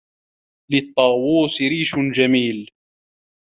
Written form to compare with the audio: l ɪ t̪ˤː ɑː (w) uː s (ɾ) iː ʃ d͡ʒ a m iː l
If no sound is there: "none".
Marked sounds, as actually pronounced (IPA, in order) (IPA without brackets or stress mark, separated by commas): w, ɾ